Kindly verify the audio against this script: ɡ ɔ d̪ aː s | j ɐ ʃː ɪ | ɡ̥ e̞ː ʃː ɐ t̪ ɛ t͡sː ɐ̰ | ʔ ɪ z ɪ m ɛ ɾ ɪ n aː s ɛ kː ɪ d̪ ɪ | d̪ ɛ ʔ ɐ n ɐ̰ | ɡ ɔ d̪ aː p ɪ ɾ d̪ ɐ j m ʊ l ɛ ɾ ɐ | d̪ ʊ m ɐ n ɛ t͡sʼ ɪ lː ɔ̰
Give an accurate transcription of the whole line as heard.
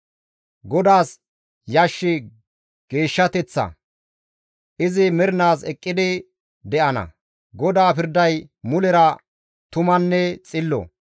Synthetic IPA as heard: ɡ ɔ d̪ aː s | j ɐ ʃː ɪ | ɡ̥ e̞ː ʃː ɐ t̪ ɛ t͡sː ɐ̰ | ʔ ɪ z ɪ m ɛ ɾ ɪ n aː s ɛ kʼː ɪ d̪ ɪ | d̪ ɛ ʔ ɐ n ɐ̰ | ɡ ɔ d̪ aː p ɪ ɾ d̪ ɐ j m ʊ l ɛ ɾ ɐ | t̪ ʊ m ɐ nː ɛ t͡sʼ ɪ lː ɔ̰